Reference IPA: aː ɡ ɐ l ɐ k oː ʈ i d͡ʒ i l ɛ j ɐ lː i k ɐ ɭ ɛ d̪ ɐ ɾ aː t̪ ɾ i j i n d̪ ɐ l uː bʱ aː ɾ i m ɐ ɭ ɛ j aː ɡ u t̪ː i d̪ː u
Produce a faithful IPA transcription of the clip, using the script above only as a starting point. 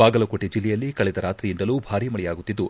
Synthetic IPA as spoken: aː ɡ ɐ l ɐ k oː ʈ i d͡ʒ i lː ɛ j ɐ lː i k ɐ ɭ ɛ d̪ ɐ ɾ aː t̪ ɾ i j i n d̪ ɐ l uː bʱ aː ɾ i m ɐ ɭ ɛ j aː ɡ u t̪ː i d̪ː u

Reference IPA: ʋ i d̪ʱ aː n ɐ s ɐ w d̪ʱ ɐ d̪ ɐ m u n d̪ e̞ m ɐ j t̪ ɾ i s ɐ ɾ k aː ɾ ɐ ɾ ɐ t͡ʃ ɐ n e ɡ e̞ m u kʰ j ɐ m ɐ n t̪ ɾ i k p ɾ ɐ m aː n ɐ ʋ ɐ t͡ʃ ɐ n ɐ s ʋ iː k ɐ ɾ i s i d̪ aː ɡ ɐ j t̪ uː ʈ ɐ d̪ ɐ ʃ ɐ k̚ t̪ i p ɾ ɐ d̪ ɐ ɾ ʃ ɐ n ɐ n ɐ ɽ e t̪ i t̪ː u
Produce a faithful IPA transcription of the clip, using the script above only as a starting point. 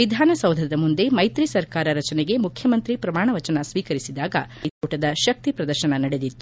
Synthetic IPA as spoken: ʋ i d̪ʱ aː n ɐ s ɐ w d̪ʱ ɐ d̪ ɐ m u n d̪ e̞ m ɐ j t̪ ɾ i s ɐ ɾ k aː ɾ ɐ ɾ ɐ t͡ʃ ɐ n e ɡ e̞ m u kʰ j ɐ m ɐ n t̪ ɾ i p ɾ ɐ m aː ɳ ɐ ʋ ɐ t͡ʃ ɐ n ɐ s ʋ iː k ɐ ɾ i s i d̪ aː ɡ ɐ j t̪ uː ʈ ɐ d̪ ɐ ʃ ɐ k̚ t̪ i p ɾ ɐ d̪ ɐ ɾ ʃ ɐ n ɐ n ɐ ɽ e d̪ i t̪ː u

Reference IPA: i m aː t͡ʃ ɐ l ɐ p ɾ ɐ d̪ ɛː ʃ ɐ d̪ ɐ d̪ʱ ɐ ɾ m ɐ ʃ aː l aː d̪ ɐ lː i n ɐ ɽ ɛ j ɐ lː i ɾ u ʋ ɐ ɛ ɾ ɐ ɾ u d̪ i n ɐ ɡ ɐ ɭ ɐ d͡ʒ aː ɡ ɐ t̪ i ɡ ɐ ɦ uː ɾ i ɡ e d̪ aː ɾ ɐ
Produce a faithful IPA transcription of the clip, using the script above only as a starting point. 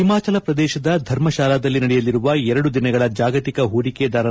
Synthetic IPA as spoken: i m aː t͡ʃ ɐ l ɐ p ɾ ɐ d̪ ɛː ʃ ɐ d̪ ɐ d̪ʱ ɐ ɾ m ɐ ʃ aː l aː d̪ ɐ lː i n ɐ ɽ ɛ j ɐ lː i ɾ u ʋ ɐ ɛ ɾ ɐ ɽ u d̪ i n ɐ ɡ ɐ ɭ ɐ d͡ʒ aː ɡ ɐ t̪ i k ɐ ɦ uː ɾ i k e d̪ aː ɾ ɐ

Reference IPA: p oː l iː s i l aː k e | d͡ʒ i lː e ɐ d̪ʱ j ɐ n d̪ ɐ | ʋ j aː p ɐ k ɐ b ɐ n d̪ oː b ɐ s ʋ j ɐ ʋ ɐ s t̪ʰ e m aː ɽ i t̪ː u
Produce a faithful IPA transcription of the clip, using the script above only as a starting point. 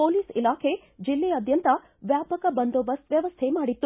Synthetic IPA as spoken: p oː l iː s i l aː kʰ e | d͡ʒ i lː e ɐ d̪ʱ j ɐ n t̪ ɐ | ʋ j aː p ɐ k ɐ b ɐ n d̪ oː b ɐ s ʋ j ɐ ʋ ɐ s t̪ʰ e m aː ɽ i t̪ː u

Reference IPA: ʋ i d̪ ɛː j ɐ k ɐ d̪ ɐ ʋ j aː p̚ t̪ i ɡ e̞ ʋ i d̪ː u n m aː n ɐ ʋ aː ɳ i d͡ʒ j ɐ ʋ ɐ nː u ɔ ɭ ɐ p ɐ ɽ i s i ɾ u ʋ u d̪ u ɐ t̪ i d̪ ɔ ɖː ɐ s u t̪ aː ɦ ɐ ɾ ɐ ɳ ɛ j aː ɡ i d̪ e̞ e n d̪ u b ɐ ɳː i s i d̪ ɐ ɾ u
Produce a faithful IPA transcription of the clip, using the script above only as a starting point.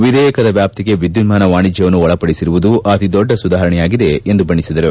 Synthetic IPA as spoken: ʋ i d̪ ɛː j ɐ k ɐ d̪ ɐ ʋ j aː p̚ t̪ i ɡ e̞ ʋ i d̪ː u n m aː n ɐ ʋ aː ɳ i d͡ʒ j ɐ ʋ ɐ nː u ɔ ɭ ɐ p ɐ ɽ i s i ɾ u ʋ u d̪ u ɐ t̪ i d̪ ɔ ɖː ɐ s u d̪ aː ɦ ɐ ɾ ɐ ɳ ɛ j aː ɡ i d̪ e̞ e n d̪ u b ɐ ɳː i s i d̪ ɐ ɾ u

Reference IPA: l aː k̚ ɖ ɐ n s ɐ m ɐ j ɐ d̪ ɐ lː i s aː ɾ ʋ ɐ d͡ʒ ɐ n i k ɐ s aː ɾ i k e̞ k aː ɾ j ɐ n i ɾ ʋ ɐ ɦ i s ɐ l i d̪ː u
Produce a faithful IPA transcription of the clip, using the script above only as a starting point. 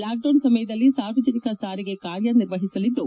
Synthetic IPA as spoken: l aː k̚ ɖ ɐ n s ɐ m ɐ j ɐ d̪ ɐ lː i s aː ɾ ʋ ɐ d͡ʒ ɐ n i k ɐ s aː ɾ i ɡ e̞ k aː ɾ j ɐ n i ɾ ʋ ɐ ɦ i s ɐ l i d̪ː u

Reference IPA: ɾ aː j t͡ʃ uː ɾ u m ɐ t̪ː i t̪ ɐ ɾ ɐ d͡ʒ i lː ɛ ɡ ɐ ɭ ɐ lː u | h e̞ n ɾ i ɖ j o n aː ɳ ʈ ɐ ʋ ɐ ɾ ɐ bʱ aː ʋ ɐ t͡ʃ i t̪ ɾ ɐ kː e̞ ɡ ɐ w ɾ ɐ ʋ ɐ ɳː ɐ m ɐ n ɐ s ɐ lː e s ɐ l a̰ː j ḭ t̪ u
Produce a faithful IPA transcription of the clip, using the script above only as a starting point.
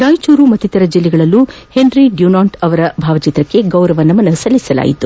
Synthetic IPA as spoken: ɾ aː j t͡ʃ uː ɾ u m ɐ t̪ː i t̪ ɐ ɾ ɐ d͡ʒ i lː ɛ ɡ ɐ ɭ ɐ lː u | h e̞ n ɾ i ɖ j u n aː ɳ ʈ ɐ ʋ ɐ ɾ ɐ bʱ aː ʋ ɐ t͡ʃ i t̪ ɾ ɐ kː e̞ ɡ ɐ w ɾ ɐ ʋ ɐ nː ɐ m ɐ n ɐ s ɐ lː i s ɐ l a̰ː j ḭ t̪ u

